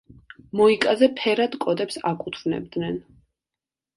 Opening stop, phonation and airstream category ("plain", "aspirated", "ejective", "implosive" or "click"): ejective